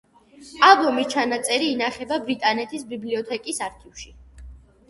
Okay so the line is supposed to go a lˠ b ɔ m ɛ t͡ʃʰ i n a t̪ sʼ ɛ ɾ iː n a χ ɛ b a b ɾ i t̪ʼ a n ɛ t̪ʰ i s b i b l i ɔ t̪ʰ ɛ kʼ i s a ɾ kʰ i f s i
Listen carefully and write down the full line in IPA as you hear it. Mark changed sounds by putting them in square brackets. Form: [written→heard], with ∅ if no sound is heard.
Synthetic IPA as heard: a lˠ b ɔ m [ɛ→i] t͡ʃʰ [i→a] n a t̪ sʼ ɛ ɾ iː n a χ ɛ b a b ɾ i t̪ʼ a n ɛ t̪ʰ i s b i b l i ɔ t̪ʰ ɛ kʼ i s a ɾ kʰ i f [s→ʃ] i